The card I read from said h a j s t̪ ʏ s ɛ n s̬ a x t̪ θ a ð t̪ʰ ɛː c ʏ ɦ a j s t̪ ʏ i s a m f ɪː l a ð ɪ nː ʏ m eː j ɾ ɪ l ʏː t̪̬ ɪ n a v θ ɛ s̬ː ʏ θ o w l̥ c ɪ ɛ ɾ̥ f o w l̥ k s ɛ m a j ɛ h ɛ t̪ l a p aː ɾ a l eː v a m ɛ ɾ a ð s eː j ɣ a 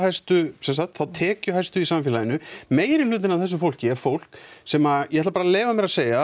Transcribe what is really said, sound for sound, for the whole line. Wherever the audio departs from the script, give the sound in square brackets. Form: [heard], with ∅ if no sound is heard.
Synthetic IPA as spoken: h a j s t̪ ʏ s ɛ n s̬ a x t̪ θ a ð t̪ʰ ɛː c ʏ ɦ a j s t̪ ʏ i s a m f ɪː l a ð ɪ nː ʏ m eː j ɾ ɪ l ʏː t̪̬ ɪ n a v θ ɛ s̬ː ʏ [f] o w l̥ c ɪ ɛ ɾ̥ f o w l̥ k s ɛ m a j ɛ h ɛ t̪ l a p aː ɾ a l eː v a m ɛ ɾ a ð s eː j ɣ a